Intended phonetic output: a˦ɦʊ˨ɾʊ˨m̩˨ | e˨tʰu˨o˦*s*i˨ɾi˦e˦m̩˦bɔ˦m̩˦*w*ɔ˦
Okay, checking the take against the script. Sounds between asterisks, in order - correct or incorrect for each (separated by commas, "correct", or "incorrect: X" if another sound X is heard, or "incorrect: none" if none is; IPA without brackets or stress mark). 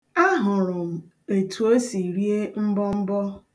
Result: correct, incorrect: b